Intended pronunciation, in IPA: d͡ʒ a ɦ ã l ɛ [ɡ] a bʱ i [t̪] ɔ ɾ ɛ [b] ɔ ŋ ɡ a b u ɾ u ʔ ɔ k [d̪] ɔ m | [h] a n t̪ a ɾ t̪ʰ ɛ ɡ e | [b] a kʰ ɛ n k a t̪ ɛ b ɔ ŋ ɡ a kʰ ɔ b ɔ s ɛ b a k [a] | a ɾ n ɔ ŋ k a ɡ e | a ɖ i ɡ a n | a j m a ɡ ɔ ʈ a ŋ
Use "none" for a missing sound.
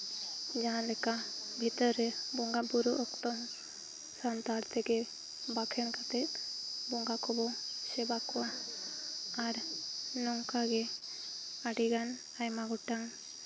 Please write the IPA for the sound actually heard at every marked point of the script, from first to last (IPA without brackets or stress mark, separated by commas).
k, t̪, b, t̪, s, b, a